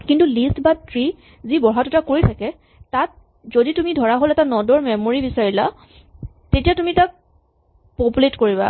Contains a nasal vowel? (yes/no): no